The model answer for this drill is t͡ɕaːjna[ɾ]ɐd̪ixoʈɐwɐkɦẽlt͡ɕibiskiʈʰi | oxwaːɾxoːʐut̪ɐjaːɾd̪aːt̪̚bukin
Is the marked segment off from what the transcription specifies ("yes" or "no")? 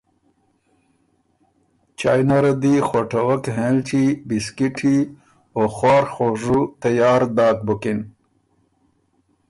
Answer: no